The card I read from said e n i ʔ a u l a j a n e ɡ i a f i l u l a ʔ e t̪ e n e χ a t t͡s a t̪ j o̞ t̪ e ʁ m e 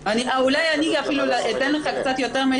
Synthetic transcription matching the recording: a n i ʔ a u l a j a n i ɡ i a f i l u l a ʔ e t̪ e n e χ a k t͡s a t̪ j o̞ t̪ e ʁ m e